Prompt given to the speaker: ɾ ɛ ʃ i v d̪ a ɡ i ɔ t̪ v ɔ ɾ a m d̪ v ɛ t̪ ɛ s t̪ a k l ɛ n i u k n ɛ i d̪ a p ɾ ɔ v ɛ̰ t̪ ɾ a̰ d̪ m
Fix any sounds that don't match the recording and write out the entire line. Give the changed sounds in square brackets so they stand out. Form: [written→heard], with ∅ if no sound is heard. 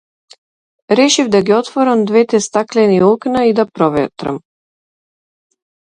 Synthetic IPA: ɾ ɛ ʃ i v d̪ a ɡ i ɔ t̪ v ɔ ɾ a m d̪ v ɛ t̪ ɛ s t̪ a k l ɛ n i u k n [ɛ→a] i d̪ a p ɾ ɔ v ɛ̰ t̪ ɾ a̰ [d̪→∅] m